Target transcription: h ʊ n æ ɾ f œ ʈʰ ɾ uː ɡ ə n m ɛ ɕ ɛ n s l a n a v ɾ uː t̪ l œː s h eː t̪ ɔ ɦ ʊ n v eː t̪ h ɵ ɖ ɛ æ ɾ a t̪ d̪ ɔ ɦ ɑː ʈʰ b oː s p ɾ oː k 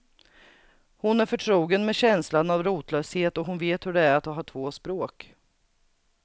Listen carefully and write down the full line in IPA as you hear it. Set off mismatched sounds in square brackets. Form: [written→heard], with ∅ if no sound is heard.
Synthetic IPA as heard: h ʊ n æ ɾ f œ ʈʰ ɾ uː ɡ ə n m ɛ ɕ ɛ n s l a n a v ɾ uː t̪ l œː s h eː t̪ ɔ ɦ ʊ n v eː t̪ h ɵ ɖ ɛ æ ɾ a t̪ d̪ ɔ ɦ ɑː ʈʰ [b→v] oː s p ɾ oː k